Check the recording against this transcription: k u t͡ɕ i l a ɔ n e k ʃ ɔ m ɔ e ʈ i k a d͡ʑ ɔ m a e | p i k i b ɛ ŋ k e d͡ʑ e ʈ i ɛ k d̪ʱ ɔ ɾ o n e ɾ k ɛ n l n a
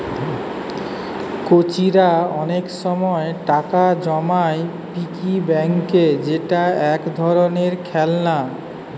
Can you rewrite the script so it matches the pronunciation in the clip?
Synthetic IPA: k o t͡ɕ i ɾ a ɔ n e k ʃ ɔ m ɔ e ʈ a k a d͡ʑ ɔ m a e | p i k i b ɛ ŋ k e d͡ʑ e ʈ a ɛ k d̪ʱ ɔ ɾ o n e ɾ kʰ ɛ l n a